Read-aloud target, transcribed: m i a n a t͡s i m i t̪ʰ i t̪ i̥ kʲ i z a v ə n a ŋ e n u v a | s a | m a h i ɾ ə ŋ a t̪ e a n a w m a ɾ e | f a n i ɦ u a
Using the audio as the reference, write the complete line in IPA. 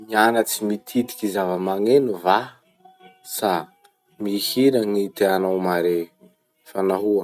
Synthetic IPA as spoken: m i a n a t͡s i m i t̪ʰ i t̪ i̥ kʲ i z a v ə m a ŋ e n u v a | s a | m i h i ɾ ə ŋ i t̪ e a n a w m a ɾ e | f a n a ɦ u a